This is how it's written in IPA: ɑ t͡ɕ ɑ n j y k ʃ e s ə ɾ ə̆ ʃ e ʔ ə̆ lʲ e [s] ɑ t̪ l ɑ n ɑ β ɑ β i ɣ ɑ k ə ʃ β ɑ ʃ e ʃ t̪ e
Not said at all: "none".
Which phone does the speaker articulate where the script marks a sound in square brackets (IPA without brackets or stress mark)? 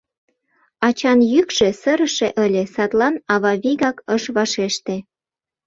s